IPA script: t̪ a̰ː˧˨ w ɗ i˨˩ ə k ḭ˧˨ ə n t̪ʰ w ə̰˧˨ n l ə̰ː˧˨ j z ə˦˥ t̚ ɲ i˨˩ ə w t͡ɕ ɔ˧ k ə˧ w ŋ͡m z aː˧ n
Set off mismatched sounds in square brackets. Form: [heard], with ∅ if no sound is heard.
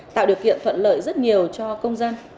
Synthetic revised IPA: t̪ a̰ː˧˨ w ɗ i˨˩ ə k ḭ˧˨ ə n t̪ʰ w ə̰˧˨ n l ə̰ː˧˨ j z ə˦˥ t̚ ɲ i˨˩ ə w t͡ɕ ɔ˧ k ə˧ w ŋ͡m z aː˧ n